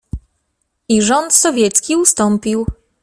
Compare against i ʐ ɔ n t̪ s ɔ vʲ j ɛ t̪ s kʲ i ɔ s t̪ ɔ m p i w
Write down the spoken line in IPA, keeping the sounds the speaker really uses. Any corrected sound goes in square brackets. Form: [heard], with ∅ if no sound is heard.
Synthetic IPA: i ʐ ɔ n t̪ s ɔ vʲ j ɛ t̪ s kʲ i [u] s t̪ ɔ m p i w